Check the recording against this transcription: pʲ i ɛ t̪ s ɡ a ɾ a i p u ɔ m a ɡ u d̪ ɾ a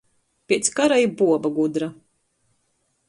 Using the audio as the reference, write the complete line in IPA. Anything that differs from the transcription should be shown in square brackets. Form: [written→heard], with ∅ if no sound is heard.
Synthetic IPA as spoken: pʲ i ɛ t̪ s [ɡ→k] a ɾ a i [p→b] u ɔ [m→b] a ɡ u d̪ ɾ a

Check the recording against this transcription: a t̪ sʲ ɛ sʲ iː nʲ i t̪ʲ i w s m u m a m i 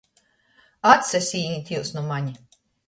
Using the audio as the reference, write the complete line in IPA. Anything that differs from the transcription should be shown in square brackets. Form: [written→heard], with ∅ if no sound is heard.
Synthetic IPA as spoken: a t̪ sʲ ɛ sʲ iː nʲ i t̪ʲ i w s [m→n] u m a [m→ɲ] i

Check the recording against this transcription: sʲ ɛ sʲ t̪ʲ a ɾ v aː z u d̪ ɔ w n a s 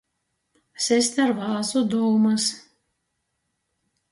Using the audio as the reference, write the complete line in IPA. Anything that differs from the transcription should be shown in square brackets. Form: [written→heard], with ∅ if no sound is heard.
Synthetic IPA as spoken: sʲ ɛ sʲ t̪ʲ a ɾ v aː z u d̪ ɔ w [n→m] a s

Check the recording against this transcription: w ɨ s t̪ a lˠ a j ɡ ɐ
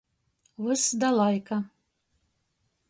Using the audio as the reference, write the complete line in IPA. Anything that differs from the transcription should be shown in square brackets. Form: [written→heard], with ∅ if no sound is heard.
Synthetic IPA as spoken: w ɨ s [t̪→d̪] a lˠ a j [ɡ→k] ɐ

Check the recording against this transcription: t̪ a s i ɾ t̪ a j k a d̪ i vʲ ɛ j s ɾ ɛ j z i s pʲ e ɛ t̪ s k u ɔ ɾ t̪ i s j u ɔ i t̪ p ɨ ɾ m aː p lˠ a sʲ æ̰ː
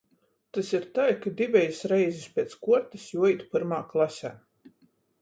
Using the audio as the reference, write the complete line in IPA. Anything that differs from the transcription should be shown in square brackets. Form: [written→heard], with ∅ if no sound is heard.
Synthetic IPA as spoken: t̪ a s i ɾ t̪ a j k a d̪ i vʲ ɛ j s ɾ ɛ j z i s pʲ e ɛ t̪ s k u ɔ ɾ t̪ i s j u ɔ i t̪ p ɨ ɾ m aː [p→k] lˠ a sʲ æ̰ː

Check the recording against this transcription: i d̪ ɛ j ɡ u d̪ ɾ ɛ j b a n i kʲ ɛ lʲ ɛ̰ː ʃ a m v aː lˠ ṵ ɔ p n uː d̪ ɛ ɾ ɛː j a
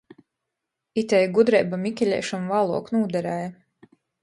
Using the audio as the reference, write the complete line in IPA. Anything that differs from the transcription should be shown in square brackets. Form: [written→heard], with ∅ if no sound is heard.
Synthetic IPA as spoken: i [d̪→t̪] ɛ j ɡ u d̪ ɾ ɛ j b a [n→m] i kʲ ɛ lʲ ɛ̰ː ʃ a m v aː lˠ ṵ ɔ [p→k] n uː d̪ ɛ ɾ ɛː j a

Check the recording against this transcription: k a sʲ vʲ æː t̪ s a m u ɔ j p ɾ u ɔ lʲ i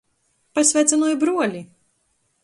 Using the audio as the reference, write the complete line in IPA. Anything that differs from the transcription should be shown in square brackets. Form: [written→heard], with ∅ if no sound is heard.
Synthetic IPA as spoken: [k→p] a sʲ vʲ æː t̪ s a [m→n] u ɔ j [p→b] ɾ u ɔ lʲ i

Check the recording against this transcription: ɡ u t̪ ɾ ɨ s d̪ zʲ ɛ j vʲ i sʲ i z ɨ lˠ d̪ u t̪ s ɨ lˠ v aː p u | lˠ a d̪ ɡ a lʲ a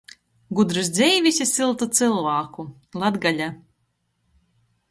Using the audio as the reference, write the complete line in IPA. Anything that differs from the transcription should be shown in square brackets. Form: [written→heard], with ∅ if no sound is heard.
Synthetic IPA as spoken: ɡ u [t̪→d̪] ɾ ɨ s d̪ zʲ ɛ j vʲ i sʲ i [z→s] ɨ lˠ [d̪→t̪] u t̪ s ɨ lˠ v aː [p→k] u | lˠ a d̪ ɡ a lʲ a

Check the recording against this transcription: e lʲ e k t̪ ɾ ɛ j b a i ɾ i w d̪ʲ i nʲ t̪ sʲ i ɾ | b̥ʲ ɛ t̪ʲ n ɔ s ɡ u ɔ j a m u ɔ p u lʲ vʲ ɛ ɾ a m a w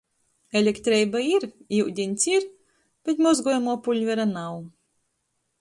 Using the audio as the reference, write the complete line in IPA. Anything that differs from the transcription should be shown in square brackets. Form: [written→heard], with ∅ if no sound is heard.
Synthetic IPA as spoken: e lʲ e k t̪ ɾ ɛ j b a i ɾ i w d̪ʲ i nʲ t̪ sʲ i ɾ | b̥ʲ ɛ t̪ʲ [n→m] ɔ [s→z] ɡ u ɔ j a m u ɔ p u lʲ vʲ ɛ ɾ a [m→n] a w

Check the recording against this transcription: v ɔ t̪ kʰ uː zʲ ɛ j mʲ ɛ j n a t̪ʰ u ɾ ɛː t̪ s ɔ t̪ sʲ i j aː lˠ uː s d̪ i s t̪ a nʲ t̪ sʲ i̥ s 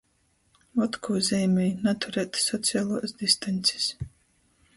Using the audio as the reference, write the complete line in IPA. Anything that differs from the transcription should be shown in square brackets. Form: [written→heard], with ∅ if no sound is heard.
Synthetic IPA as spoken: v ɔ t̪ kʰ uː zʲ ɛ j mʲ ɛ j n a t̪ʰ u ɾ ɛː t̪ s ɔ t̪ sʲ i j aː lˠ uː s d̪ i s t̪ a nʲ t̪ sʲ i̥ s

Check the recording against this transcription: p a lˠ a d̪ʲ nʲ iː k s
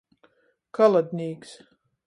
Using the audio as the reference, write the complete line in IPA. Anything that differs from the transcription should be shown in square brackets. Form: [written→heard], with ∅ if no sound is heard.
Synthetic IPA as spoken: [p→k] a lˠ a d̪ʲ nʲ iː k s

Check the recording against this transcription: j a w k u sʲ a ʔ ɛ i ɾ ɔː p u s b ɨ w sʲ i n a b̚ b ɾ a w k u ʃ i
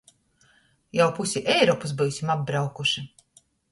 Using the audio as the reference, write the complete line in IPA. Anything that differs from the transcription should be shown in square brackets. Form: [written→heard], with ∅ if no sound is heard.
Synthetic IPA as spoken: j a w [k→p] u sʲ [a→i] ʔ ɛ [i→j] ɾ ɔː p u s b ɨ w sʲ i [n→m] a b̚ b ɾ a w k u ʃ i

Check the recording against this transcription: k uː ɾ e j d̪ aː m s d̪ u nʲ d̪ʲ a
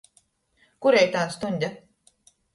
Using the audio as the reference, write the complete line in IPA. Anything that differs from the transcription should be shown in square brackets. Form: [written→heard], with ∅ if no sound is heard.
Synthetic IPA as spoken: k [uː→u] ɾ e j [d̪→t̪] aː [m→n] s [d̪→t̪] u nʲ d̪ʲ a

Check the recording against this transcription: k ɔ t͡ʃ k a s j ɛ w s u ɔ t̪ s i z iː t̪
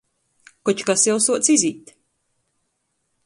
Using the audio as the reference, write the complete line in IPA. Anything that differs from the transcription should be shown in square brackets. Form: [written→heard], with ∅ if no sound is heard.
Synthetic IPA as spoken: k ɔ t͡ʃ k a s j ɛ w s u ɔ t̪ s i z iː t̪

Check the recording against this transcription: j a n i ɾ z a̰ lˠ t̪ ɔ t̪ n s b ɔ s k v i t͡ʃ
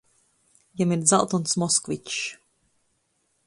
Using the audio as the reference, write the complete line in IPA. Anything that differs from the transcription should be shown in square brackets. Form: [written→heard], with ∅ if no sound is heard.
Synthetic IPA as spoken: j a [n→m] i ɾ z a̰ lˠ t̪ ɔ [t̪→∅] n s [b→m] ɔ s k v i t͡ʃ

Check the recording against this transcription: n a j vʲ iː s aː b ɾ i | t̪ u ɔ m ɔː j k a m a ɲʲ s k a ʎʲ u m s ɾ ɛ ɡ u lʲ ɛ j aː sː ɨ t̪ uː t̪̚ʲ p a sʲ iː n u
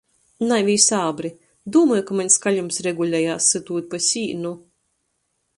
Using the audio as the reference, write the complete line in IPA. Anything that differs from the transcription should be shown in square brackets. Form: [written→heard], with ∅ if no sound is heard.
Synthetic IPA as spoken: n a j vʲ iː s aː b ɾ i | [t̪→d̪] u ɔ m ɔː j k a m a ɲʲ s k a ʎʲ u m s ɾ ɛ ɡ u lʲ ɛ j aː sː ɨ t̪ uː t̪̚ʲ p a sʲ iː n u

